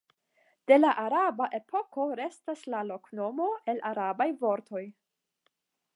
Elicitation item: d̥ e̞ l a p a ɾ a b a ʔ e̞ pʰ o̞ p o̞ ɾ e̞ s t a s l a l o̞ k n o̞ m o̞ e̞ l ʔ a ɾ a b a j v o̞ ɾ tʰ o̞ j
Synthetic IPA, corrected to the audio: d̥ e̞ l a ʔ a ɾ a b a ʔ e̞ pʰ o̞ k o̞ ɾ e̞ s t a s l a l o̞ k n o̞ m o̞ e̞ l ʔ a ɾ a b a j v o̞ ɾ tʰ o̞ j